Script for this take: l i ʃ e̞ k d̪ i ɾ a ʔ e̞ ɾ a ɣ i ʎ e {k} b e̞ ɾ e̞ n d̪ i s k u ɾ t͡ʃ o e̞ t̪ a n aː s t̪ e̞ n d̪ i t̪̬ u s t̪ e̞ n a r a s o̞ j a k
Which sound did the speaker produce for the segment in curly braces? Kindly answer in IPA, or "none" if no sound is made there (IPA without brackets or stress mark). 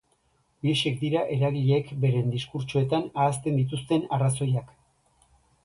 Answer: k